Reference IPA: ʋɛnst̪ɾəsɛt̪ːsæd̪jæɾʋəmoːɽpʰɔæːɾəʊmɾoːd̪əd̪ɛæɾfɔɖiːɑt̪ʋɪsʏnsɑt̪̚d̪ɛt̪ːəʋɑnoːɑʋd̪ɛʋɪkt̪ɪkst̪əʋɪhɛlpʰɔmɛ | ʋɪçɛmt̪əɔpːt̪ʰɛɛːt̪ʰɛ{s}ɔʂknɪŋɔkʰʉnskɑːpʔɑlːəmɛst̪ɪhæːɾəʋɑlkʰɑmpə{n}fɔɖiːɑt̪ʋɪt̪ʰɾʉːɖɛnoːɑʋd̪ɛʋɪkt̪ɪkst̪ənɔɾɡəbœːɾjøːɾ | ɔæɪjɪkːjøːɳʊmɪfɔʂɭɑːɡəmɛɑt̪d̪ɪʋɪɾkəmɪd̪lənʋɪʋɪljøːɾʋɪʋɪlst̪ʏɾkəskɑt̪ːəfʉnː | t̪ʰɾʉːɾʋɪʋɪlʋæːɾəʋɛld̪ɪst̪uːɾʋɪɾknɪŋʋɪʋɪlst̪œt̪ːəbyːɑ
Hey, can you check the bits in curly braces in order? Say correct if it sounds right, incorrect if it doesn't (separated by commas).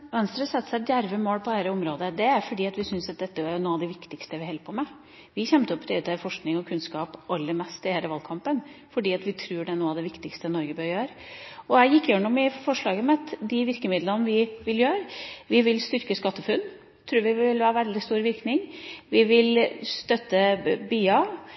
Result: incorrect, correct